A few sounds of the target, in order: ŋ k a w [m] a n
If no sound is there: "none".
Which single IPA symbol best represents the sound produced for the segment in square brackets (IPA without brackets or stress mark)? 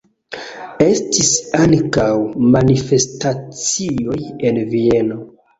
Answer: m